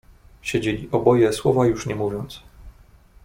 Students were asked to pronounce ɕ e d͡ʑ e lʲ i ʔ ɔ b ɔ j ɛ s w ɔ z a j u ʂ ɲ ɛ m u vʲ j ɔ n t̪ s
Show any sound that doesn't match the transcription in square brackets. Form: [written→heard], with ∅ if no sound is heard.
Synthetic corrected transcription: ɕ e d͡ʑ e lʲ i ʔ ɔ b ɔ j ɛ s w ɔ [z→v] a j u ʂ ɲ ɛ m u vʲ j ɔ n t̪ s